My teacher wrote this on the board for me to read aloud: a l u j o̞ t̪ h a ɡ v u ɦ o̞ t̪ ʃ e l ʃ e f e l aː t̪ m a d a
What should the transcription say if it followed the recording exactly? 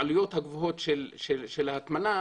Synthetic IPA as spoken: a l u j o̞ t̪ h a ɡ v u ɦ o̞ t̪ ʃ e l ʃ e ʃ e l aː t̪ m a n a